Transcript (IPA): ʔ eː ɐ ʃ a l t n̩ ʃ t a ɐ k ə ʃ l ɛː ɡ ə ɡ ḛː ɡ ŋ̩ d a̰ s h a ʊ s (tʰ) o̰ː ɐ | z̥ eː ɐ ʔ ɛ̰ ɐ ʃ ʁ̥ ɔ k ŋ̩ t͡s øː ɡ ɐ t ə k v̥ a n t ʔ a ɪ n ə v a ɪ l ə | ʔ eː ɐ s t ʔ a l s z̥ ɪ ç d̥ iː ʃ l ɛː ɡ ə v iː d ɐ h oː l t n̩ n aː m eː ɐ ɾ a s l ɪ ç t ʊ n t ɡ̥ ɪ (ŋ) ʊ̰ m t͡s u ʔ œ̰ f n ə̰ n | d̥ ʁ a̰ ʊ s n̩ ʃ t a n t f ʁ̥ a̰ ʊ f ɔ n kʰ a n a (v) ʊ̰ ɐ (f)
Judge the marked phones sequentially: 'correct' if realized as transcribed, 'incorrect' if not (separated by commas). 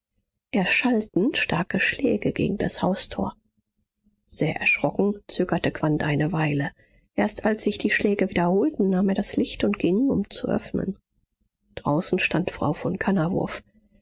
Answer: correct, correct, correct, correct